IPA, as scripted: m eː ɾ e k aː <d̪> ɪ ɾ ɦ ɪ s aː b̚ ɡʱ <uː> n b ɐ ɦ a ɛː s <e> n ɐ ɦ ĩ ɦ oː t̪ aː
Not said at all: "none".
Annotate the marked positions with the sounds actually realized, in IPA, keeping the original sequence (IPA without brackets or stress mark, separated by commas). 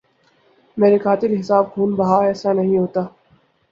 t̪, uː, a